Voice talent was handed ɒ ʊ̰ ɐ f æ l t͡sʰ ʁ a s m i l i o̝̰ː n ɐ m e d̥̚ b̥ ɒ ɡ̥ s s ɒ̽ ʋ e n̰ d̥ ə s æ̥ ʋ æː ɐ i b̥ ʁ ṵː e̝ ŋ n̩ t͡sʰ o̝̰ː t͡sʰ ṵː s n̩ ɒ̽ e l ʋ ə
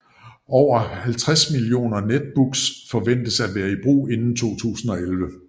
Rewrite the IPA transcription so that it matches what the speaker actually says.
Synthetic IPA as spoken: ɒ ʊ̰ ɐ h æ l t͡sʰ ʁ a s m i l i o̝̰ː n ɐ n e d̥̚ b̥ u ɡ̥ s f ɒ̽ ʋ e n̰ d̥ ə s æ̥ ʋ æː ɐ i b̥ ʁ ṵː e̝ n n̩ t͡sʰ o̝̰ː t͡sʰ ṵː s n̩ ɒ̽ e l ʋ ə